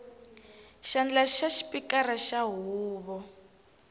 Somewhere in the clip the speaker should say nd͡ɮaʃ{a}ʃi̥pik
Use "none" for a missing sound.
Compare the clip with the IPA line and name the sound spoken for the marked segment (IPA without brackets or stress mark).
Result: a